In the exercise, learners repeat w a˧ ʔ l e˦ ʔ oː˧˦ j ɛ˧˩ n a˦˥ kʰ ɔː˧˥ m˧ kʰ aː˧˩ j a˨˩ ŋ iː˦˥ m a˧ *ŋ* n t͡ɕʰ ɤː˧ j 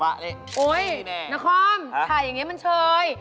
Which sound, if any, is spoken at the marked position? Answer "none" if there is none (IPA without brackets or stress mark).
none